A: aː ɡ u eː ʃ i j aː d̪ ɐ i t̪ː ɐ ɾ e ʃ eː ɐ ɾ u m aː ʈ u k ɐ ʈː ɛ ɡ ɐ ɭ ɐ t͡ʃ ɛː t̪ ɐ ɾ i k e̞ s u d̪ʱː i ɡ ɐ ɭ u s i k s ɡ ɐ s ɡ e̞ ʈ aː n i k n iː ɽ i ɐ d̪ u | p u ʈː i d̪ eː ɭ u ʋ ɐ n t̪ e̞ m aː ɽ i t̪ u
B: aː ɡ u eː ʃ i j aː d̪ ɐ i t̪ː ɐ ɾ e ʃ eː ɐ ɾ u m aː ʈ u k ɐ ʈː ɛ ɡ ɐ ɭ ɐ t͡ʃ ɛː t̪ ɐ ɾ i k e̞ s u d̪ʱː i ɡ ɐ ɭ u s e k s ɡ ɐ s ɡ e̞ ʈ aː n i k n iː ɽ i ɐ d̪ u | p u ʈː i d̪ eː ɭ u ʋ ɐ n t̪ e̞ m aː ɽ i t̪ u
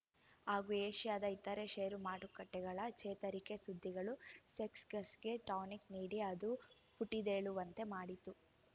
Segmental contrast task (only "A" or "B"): B